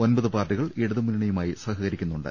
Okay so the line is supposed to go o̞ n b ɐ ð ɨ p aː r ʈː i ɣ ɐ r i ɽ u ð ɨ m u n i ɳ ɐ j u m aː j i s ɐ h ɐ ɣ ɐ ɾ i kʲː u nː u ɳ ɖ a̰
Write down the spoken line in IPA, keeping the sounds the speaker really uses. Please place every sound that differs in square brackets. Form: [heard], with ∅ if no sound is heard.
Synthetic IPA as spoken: o̞ n b ɐ ð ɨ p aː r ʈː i ɣ ɐ [ɭ] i ɽ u ð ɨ m u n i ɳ ɐ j u m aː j i s ɐ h ɐ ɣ ɐ ɾ i kʲː u nː u ɳ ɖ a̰